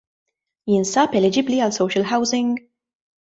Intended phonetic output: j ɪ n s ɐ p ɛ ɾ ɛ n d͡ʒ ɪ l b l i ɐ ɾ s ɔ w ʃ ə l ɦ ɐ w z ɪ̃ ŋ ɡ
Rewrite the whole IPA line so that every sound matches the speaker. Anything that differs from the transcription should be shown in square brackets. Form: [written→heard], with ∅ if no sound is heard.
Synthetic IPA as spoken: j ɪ n s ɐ p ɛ [ɾ→l] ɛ [n→∅] d͡ʒ ɪ [l→∅] b l i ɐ [ɾ→l] s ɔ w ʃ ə l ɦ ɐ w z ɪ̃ ŋ ɡ

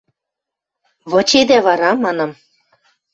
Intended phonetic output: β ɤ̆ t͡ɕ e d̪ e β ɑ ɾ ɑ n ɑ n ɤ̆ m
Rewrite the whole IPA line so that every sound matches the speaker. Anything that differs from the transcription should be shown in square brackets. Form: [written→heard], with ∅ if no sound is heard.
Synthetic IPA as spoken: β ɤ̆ t͡ɕ e d̪ [e→æ] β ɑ ɾ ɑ [n→m] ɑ n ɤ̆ m

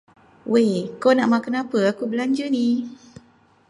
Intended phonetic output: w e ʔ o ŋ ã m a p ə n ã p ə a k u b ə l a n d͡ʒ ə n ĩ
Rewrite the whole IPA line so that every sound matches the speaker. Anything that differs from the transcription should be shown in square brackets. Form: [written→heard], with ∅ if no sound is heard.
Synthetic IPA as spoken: w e [ʔ→k] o [ŋ→n] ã m a [p→k] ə n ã p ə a k u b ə l a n d͡ʒ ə n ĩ

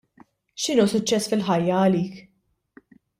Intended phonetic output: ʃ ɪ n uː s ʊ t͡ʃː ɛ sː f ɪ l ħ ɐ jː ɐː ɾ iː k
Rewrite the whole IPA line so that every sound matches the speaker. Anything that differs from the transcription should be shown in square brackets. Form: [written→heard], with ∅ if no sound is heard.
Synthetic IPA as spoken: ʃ ɪ n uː s ʊ t͡ʃː ɛ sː f ɪ l ħ ɐ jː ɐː [ɾ→l] iː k

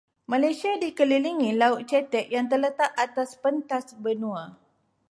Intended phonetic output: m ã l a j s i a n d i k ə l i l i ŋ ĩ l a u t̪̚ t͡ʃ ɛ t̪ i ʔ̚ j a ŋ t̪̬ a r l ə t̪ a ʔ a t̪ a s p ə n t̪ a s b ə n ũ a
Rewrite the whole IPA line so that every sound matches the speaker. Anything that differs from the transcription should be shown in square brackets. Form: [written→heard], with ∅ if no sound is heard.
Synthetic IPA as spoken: m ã l a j s i a [n→∅] d i k ə l i l i ŋ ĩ l a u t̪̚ t͡ʃ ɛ t̪ [i→ɛ] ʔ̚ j a ŋ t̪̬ [a→ə] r l ə t̪ a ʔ a t̪ a s p ə n t̪ a s b ə n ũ a

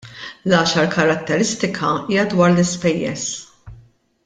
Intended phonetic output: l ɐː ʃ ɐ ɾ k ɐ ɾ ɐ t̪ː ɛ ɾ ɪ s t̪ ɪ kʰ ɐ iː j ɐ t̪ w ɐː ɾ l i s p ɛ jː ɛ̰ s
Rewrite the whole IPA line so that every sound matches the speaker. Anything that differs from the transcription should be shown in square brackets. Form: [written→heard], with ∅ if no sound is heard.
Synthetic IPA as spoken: l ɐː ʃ ɐ ɾ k ɐ ɾ ɐ t̪ː ɛ ɾ ɪ s t̪ ɪ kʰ ɐ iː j ɐ [t̪→d̪] w ɐː ɾ l [i→ɪ] s p ɛ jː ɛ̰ s

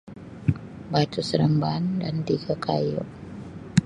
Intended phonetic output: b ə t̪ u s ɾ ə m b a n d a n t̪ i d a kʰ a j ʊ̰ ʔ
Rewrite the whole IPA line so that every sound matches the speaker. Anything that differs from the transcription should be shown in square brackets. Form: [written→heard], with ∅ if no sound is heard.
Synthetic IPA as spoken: b [ə→a] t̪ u s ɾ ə m b a n d a n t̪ i [d→ɡ] a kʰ a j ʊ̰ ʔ

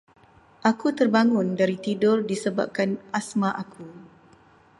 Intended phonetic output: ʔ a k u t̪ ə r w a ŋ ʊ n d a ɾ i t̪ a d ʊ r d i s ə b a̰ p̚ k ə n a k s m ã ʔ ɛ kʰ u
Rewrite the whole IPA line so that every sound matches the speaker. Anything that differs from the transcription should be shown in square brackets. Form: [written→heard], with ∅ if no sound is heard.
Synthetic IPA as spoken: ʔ a k u t̪ ə r [w→b] a ŋ ʊ n d a ɾ i t̪ [a→i] d ʊ r d i s ə b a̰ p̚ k [ə→a] n a [k→∅] s m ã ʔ [ɛ→a] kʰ u

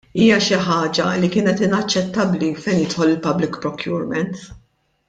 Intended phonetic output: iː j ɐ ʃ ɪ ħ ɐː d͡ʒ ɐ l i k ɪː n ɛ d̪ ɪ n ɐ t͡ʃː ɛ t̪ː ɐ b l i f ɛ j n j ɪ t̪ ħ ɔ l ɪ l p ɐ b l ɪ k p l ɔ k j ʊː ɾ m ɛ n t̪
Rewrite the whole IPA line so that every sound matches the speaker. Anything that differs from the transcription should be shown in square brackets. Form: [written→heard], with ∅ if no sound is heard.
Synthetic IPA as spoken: iː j ɐ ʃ ɪ ħ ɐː d͡ʒ ɐ l i k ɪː n ɛ [d̪→t̪] ɪ n ɐ t͡ʃː ɛ t̪ː ɐ b l i f ɛ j n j ɪ t̪ ħ ɔ l ɪ l p ɐ b l ɪ k p [l→ɾ] ɔ k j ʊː ɾ m ɛ n t̪

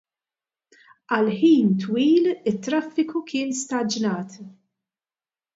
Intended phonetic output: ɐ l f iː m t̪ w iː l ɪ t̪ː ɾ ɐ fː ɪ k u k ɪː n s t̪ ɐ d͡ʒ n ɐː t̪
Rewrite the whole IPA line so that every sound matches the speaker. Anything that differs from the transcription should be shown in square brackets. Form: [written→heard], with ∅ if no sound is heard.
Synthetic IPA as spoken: ɐ l [f→ħ] iː [m→n] t̪ w iː l ɪ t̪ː ɾ ɐ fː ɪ k u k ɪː n s t̪ ɐ d͡ʒ n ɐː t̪

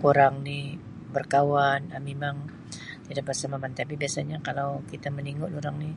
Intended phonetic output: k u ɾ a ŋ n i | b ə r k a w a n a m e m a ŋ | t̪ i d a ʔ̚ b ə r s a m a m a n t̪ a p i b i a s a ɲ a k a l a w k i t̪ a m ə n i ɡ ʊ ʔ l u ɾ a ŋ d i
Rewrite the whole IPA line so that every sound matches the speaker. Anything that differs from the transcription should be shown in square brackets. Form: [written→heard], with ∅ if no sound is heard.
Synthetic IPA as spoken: k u ɾ a ŋ n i | b ə r k a w a n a m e m a ŋ | t̪ i d a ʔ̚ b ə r s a m a m a n t̪ a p i b i a s a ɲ a k a l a w k i t̪ a m ə n i [ɡ→ŋ] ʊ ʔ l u ɾ a ŋ [d→n] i

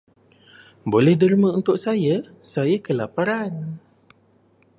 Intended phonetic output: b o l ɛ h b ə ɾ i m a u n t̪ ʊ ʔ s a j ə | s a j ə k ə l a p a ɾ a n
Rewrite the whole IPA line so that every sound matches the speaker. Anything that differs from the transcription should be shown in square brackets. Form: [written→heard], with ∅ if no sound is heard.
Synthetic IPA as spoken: b o l ɛ h [b→d] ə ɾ i m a u n t̪ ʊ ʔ s a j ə | s a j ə k ə l a p a ɾ a n

